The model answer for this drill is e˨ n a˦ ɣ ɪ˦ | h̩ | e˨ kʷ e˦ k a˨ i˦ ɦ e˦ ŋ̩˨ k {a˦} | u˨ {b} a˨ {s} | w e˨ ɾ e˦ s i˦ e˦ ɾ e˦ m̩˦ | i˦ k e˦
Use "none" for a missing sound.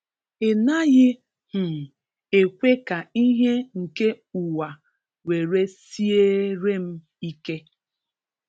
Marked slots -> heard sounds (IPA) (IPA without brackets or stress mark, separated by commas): e˦, w, none